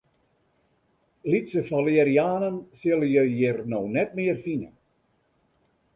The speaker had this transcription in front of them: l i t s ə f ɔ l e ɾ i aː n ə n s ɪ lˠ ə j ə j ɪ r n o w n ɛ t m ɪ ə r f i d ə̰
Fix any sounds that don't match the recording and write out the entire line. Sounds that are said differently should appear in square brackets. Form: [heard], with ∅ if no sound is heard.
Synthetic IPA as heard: l i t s ə f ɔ l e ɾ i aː n ə n s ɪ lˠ ə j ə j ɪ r n o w n ɛ t m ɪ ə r f i [n] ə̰